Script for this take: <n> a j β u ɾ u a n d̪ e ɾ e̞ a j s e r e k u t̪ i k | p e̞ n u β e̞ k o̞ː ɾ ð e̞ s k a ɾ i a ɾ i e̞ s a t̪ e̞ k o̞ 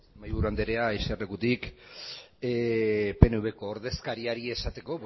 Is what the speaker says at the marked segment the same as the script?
no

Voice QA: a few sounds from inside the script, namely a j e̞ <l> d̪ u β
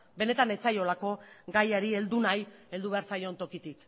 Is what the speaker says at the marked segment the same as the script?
yes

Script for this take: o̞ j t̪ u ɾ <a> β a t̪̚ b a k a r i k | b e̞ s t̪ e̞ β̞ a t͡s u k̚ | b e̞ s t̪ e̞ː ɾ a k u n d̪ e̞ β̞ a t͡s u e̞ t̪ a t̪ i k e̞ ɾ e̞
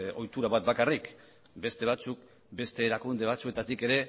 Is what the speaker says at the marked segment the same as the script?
yes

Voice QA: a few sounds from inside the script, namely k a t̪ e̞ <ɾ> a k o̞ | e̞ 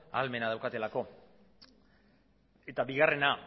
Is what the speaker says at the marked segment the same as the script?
no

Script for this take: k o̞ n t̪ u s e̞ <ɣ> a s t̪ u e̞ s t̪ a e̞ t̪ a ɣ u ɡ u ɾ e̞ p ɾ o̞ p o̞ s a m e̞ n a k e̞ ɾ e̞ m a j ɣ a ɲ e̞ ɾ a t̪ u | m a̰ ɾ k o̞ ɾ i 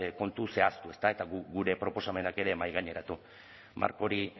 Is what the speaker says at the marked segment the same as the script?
no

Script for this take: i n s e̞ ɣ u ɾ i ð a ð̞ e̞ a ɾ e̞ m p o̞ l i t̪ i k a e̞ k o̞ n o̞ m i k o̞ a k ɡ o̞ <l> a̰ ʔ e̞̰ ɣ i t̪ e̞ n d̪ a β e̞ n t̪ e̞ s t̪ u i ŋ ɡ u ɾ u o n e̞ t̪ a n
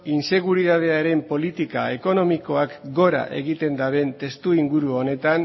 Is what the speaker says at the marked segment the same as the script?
no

